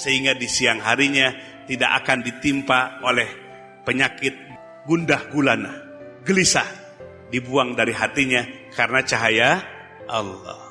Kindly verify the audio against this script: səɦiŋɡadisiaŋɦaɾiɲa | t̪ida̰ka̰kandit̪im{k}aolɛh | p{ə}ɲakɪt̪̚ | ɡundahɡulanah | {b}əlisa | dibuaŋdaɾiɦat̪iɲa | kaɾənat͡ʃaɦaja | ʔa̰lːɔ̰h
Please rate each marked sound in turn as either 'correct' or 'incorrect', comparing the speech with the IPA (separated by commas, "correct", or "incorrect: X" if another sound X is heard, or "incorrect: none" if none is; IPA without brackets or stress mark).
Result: incorrect: p, correct, incorrect: ɡ